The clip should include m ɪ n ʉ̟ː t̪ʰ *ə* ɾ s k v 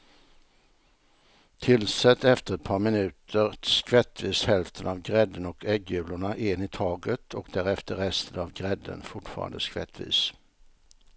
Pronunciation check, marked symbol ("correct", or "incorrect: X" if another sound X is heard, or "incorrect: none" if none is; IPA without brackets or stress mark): correct